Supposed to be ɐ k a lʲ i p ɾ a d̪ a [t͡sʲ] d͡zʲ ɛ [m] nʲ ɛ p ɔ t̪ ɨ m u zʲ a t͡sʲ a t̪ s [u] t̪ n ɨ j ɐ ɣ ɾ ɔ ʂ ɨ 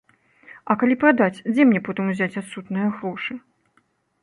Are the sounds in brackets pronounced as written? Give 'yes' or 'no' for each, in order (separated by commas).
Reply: yes, yes, yes